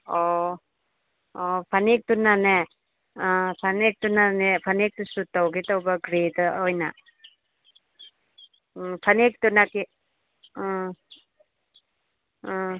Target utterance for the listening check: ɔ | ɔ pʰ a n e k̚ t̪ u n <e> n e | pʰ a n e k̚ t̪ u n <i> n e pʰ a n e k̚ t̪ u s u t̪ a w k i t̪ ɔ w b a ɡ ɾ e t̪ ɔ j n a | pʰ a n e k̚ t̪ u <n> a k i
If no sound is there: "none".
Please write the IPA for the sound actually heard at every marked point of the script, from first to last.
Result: a, a, n

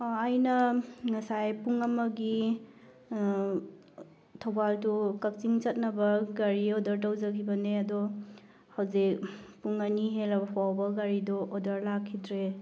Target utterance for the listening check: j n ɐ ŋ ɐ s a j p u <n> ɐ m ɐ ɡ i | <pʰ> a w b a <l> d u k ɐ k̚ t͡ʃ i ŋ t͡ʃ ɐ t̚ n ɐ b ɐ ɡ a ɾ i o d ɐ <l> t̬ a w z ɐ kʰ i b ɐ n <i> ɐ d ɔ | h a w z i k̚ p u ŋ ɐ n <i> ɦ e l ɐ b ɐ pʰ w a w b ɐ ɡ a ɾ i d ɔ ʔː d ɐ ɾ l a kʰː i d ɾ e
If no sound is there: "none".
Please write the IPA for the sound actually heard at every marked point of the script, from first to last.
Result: ŋ, tʰ, l, ɾ, e, i

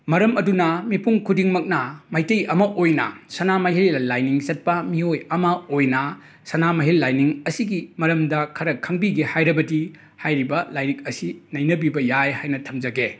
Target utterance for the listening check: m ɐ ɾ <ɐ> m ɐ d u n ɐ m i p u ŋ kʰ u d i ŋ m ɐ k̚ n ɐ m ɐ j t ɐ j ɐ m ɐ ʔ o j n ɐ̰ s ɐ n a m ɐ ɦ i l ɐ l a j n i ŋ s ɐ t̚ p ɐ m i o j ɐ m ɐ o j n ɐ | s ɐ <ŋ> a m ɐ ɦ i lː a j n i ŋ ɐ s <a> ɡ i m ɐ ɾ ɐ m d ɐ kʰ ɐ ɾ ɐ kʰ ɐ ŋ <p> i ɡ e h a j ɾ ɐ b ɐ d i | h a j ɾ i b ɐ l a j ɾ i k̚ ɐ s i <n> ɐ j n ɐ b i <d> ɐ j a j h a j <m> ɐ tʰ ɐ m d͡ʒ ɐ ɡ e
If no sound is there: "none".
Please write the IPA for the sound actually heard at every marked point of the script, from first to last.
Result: ɐ, n, i, b, n, b, n

